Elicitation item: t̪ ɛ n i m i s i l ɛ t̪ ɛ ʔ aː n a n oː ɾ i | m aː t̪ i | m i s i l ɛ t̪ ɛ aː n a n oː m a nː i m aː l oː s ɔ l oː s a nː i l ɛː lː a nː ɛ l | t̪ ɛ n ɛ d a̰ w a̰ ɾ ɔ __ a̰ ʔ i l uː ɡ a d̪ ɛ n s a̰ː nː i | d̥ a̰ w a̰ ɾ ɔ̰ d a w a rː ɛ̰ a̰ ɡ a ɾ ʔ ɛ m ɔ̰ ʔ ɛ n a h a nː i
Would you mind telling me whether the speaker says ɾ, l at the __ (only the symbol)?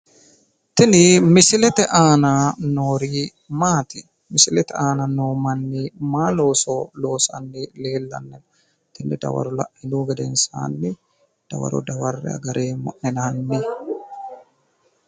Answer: l